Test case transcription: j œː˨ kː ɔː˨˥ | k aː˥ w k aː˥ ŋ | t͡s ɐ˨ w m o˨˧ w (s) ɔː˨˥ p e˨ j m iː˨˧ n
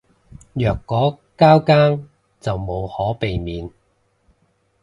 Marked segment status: incorrect: h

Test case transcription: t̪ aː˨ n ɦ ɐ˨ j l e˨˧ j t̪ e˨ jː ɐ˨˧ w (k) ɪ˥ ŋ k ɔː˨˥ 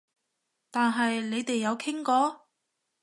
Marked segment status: incorrect: kʰ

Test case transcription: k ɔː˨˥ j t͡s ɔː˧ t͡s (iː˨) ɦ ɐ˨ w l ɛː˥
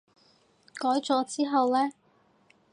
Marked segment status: incorrect: iː˥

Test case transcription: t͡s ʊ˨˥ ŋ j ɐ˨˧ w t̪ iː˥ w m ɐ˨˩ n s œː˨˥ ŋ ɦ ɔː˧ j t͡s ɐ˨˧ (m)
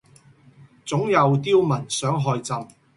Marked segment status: correct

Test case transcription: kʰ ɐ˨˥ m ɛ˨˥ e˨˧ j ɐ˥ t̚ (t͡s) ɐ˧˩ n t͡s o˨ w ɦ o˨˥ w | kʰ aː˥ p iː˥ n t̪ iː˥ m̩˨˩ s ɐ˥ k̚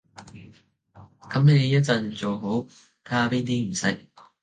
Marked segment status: correct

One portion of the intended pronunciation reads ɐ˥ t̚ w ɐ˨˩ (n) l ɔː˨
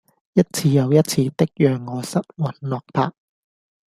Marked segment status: correct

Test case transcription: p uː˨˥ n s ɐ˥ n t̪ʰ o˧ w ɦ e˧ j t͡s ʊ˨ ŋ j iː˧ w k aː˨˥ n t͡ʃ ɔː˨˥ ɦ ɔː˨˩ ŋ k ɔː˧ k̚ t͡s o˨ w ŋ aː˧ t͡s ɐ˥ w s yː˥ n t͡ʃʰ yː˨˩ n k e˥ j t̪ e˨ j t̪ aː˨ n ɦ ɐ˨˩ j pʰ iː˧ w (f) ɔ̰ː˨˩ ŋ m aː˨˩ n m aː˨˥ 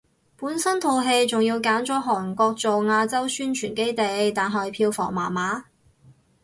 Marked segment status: correct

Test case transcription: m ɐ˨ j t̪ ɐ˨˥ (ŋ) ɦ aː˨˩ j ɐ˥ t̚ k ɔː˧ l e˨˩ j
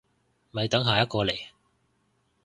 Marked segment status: correct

